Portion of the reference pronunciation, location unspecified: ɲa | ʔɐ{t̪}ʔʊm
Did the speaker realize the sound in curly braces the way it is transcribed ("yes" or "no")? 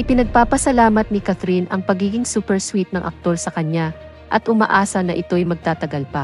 yes